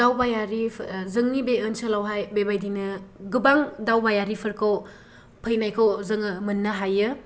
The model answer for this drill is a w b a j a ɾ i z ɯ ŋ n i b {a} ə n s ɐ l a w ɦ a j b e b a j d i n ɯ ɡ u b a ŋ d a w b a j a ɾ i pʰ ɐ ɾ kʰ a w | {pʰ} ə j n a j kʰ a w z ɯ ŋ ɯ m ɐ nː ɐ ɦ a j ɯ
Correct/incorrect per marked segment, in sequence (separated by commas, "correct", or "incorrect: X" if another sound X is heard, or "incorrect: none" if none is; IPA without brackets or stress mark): incorrect: e, correct